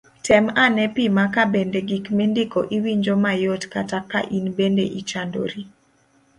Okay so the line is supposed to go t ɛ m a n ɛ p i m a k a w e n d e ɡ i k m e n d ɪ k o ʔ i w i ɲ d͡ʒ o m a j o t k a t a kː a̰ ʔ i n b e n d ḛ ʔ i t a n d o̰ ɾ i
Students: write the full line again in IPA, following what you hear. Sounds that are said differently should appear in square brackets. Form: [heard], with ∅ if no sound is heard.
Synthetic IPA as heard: t ɛ m a n ɛ p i m a k a [b] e n d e ɡ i k m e n d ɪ k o ʔ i w i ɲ d͡ʒ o m a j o t k a t a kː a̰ ʔ i n b e n d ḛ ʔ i [t͡ʃ] a n d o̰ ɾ i